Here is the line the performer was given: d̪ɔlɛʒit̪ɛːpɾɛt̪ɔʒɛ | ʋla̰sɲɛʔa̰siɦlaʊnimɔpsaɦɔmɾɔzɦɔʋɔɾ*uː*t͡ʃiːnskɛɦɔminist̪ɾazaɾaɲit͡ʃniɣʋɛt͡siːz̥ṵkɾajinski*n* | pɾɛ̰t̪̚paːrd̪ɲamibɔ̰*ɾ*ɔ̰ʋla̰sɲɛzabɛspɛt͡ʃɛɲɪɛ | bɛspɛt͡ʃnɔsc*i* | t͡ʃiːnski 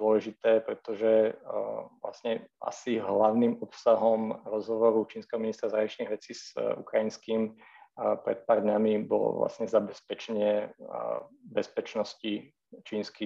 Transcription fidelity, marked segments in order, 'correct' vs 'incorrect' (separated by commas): incorrect, incorrect, incorrect, correct